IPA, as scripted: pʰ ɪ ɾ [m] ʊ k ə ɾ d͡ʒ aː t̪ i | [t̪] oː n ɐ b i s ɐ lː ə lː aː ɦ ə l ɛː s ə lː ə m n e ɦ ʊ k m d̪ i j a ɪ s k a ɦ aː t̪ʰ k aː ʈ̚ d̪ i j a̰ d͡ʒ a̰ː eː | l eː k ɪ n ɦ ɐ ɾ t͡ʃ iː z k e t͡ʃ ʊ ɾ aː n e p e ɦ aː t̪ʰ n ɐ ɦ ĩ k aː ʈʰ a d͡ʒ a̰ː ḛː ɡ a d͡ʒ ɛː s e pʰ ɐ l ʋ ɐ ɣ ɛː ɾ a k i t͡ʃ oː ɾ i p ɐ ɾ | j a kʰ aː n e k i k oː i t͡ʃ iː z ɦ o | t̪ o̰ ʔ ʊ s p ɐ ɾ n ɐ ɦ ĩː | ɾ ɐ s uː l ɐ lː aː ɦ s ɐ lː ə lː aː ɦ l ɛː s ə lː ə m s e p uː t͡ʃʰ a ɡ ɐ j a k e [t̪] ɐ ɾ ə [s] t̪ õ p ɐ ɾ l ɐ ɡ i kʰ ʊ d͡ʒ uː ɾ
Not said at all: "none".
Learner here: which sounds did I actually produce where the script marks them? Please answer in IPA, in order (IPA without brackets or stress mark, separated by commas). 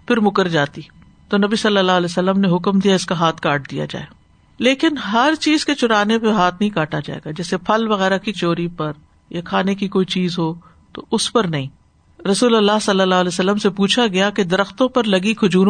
m, t̪, d̪, x